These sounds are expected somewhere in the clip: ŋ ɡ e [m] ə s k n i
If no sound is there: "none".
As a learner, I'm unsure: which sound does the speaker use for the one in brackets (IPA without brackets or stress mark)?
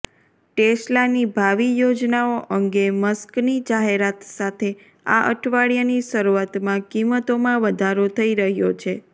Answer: m